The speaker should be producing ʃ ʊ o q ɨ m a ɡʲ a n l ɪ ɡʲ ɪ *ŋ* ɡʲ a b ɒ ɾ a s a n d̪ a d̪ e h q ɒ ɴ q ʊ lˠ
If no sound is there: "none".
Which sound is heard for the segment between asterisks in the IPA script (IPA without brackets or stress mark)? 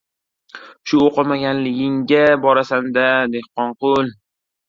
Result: ŋ